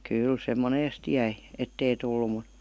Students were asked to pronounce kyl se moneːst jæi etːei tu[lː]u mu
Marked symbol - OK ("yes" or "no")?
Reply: yes